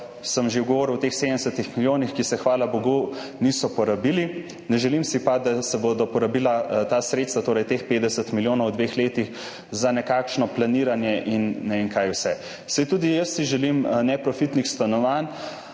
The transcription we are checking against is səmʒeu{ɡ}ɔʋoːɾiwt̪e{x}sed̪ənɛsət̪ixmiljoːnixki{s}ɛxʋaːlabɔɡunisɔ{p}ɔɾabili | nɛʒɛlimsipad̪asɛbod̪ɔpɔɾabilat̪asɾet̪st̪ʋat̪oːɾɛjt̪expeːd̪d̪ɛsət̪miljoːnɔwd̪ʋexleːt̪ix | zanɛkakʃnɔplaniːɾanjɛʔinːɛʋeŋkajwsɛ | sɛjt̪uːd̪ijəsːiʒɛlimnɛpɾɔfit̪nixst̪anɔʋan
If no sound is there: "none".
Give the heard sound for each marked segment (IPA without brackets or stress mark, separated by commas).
ɡ, x, s, p